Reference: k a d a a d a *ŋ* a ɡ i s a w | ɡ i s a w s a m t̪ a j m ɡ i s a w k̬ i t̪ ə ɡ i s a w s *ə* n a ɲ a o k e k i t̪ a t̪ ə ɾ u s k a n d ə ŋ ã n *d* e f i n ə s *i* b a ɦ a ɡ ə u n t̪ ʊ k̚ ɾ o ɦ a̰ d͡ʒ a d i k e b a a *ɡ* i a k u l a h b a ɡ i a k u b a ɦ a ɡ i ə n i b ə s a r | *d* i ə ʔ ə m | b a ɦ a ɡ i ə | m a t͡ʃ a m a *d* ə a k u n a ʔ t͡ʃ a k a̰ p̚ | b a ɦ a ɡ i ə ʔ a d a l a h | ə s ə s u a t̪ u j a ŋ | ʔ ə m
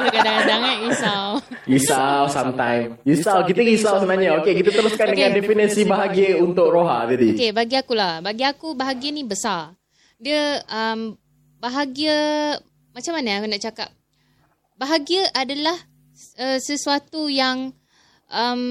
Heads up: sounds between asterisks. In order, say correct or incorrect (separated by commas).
correct, correct, correct, correct, correct, correct, incorrect